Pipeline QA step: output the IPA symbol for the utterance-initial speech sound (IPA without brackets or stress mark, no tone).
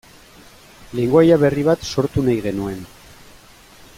l